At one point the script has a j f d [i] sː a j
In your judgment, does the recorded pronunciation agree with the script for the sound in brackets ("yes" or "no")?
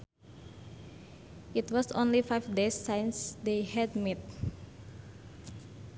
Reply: no